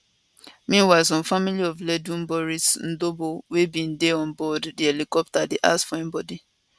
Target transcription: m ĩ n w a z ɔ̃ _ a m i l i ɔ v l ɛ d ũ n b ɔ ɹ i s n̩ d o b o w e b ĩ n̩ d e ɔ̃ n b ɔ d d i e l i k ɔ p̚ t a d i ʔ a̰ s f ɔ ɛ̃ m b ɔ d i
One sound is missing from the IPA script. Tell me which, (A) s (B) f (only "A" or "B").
B